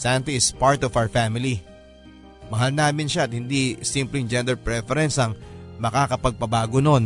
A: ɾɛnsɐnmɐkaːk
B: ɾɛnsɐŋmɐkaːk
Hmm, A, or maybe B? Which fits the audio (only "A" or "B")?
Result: B